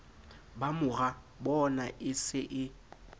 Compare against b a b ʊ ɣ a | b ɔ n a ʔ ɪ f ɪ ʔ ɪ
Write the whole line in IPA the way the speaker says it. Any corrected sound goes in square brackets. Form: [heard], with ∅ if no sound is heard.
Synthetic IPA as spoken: b a [m] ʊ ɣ a | b ɔ n a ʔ ɪ [s] ɪ ʔ ɪ